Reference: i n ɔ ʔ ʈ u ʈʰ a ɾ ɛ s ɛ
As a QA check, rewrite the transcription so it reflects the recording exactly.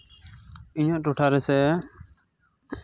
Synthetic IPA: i ɲ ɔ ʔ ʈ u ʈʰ a ɾ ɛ s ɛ